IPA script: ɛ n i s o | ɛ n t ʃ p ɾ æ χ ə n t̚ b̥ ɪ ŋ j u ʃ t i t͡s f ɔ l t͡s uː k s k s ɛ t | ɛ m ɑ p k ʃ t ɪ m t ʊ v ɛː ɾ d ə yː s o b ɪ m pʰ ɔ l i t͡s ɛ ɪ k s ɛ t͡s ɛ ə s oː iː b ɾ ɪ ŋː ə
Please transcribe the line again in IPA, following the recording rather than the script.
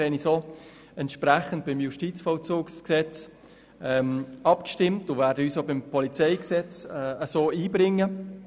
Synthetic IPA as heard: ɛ n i s o | ɛ n t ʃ p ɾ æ χ ə n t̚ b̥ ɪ m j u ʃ t i t͡s f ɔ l t͡s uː k s k s ɛ t͡s | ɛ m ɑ p k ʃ t ɪ m t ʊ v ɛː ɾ d ə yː s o b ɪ m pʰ ɔ l i t͡s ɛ ɪ k s ɛ t͡s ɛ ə s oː iː b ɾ ɪ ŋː ə